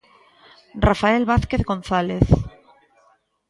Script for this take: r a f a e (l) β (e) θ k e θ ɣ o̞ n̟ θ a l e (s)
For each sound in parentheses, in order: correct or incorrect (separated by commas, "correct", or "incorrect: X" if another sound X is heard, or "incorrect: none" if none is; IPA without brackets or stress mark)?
correct, incorrect: a, incorrect: θ